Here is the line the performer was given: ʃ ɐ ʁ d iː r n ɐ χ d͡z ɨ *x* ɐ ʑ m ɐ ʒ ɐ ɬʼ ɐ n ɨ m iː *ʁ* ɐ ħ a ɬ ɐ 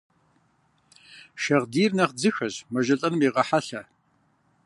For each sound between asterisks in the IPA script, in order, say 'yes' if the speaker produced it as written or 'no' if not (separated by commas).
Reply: yes, yes